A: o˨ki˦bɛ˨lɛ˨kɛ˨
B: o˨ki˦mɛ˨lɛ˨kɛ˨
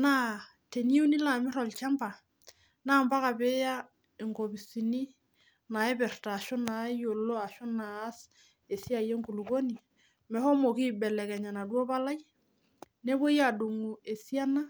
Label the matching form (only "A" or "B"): A